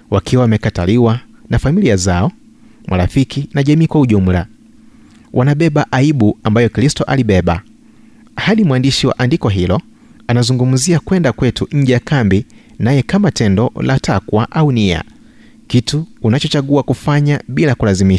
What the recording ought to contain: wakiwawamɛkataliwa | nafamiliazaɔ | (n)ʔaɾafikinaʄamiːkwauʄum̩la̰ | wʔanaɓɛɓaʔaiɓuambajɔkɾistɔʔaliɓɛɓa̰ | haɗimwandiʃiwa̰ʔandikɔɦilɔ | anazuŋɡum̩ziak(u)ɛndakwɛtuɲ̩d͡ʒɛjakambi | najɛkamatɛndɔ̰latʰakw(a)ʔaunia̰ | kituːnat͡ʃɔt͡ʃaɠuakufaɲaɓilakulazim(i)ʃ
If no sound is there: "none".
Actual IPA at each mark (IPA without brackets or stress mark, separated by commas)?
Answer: m, w, a, i